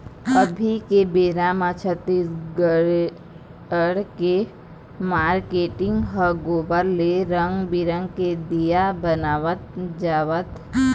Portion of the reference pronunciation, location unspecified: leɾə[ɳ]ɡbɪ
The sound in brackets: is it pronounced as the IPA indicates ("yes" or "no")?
no